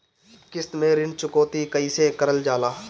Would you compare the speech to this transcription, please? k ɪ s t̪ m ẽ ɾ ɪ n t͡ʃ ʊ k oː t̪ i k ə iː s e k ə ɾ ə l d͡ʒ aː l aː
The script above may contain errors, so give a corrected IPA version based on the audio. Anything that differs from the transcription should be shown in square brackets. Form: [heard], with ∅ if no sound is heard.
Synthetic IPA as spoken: k ɪ s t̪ m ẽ ɾ ɪ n t͡ʃ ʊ k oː t̪ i k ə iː s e k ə ɾ ə l d͡ʒ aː l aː